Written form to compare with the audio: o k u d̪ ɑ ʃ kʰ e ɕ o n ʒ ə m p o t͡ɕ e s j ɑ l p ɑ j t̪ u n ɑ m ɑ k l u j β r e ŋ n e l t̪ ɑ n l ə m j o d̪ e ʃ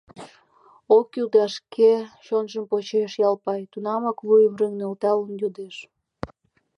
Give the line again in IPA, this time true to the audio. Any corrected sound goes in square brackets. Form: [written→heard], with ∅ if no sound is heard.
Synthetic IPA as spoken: o k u d̪ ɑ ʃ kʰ e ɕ o n ʒ ə m p o t͡ɕ e [s→ʃ] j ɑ l p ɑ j t̪ u n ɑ m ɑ k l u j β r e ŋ n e l t̪ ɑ [n→∅] l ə [m→n] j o d̪ e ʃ